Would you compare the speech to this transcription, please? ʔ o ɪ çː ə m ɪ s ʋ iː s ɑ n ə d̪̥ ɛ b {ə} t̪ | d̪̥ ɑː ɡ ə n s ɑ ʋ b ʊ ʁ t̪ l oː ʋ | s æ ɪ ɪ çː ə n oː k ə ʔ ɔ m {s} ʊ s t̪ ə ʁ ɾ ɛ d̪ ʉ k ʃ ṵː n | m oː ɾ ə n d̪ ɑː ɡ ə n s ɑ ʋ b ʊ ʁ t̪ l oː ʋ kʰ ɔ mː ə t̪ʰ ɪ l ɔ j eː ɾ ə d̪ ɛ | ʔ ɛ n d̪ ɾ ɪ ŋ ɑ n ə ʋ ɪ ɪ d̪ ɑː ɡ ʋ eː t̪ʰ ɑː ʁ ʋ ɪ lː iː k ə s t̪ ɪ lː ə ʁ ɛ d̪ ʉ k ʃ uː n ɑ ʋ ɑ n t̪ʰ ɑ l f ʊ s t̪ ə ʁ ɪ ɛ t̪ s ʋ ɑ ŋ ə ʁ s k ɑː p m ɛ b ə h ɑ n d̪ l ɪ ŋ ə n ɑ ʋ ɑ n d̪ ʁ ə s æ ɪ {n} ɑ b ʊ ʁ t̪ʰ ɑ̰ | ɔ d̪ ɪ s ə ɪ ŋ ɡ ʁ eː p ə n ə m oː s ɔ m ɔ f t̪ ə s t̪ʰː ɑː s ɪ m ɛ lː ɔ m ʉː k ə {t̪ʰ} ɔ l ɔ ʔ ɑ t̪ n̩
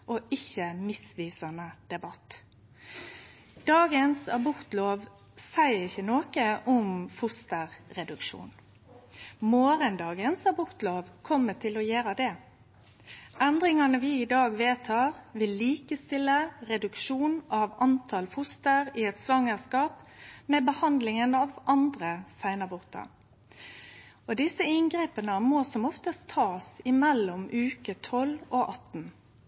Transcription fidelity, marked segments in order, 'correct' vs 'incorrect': incorrect: ɑ, incorrect: f, correct, correct

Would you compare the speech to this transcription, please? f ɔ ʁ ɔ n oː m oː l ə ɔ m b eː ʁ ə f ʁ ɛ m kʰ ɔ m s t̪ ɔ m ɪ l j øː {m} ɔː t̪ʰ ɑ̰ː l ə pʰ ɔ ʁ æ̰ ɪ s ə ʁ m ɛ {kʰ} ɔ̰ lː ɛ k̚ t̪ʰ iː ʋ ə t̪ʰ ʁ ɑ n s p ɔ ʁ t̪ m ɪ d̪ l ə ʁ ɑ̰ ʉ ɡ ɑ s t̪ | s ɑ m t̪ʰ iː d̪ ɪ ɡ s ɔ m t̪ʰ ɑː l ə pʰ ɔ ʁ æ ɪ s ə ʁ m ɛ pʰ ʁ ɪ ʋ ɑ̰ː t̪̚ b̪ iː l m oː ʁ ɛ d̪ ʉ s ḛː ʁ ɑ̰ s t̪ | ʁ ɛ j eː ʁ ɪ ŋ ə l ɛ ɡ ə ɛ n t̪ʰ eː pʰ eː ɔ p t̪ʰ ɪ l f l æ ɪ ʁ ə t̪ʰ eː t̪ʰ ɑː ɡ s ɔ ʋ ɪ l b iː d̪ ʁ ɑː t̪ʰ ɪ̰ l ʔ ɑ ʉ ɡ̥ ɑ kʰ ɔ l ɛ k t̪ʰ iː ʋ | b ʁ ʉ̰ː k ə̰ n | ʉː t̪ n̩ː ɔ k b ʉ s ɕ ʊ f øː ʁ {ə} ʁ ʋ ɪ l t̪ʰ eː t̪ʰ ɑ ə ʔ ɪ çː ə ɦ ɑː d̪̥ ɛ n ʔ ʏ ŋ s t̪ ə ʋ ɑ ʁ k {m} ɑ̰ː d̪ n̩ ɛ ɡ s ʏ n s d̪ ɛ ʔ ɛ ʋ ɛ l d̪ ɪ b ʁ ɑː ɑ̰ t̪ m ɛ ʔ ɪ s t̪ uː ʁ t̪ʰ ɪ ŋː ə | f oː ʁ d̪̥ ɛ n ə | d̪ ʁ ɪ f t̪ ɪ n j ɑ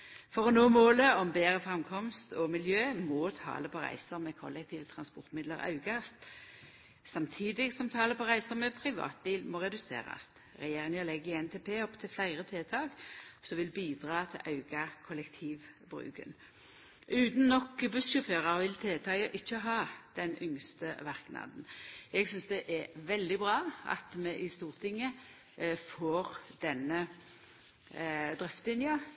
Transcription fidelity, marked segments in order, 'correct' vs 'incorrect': correct, correct, incorrect: ɑ, incorrect: n

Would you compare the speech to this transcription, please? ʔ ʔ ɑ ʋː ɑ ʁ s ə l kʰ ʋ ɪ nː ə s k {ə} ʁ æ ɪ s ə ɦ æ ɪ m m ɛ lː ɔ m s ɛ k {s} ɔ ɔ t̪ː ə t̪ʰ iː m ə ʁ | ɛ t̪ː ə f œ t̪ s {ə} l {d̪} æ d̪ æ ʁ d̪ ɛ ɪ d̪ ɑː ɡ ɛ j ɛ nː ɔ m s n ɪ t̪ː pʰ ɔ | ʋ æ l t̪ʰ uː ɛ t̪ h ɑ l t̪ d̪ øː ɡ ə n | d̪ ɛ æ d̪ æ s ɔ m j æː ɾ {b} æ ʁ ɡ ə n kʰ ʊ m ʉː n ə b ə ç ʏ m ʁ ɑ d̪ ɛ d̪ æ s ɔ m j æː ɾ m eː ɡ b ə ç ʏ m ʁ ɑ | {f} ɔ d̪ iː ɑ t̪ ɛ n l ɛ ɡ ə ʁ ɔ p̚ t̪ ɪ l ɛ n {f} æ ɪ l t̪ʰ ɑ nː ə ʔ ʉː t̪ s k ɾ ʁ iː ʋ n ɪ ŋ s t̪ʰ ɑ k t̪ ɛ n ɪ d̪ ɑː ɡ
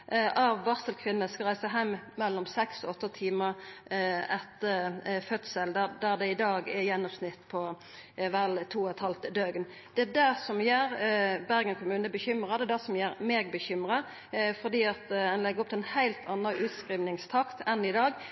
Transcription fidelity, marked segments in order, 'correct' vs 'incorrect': incorrect: ɑ, correct, correct, correct, correct, correct, incorrect: h

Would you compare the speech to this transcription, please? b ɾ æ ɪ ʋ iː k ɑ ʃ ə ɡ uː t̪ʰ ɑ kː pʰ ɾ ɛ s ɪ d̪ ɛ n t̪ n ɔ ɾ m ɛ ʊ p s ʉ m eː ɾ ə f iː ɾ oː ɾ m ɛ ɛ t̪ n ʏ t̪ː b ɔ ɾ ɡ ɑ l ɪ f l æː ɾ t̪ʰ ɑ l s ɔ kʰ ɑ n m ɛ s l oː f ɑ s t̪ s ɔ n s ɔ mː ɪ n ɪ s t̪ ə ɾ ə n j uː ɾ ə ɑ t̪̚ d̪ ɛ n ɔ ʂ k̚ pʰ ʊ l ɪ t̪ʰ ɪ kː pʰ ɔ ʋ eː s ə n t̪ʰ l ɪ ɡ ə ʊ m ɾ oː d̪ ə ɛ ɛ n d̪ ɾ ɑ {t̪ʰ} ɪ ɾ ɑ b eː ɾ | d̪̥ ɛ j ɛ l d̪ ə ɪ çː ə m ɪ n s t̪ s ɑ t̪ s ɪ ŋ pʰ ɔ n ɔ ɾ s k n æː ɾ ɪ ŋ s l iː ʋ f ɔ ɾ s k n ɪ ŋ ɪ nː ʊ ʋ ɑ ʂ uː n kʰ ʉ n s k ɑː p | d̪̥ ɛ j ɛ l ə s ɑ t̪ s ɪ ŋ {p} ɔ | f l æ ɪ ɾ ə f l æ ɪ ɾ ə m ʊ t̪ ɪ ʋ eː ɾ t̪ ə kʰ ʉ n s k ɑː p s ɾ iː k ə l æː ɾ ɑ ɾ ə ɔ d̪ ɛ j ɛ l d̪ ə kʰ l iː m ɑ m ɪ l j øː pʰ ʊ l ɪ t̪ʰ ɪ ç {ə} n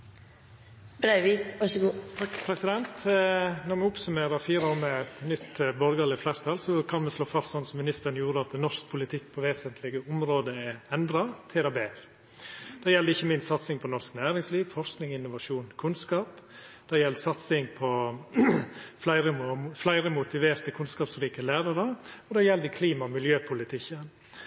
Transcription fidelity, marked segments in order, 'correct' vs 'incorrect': correct, incorrect: pʰ, correct

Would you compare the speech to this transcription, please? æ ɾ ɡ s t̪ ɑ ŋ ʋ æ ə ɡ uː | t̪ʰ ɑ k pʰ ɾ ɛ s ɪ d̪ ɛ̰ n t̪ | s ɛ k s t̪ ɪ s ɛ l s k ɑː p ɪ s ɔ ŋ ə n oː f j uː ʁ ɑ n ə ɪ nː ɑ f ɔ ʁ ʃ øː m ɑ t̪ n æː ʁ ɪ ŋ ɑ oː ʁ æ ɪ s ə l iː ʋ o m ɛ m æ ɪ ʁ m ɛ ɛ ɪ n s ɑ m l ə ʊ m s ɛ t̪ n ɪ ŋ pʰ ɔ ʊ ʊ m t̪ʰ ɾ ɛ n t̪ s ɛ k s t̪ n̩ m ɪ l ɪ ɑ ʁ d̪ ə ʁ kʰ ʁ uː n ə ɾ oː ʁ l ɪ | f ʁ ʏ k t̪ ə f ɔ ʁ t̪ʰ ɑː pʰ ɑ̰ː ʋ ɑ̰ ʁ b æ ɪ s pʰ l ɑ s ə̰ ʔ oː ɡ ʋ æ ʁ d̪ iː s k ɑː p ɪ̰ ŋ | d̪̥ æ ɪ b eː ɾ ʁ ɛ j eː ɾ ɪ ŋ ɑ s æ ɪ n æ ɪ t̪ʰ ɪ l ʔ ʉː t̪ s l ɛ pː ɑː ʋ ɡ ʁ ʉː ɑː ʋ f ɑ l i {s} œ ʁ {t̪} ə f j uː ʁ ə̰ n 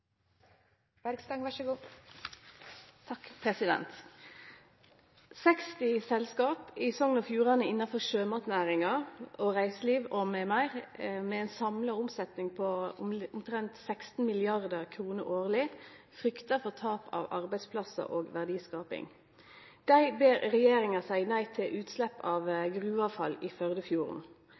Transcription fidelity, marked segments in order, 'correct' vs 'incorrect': incorrect: f, incorrect: d̪

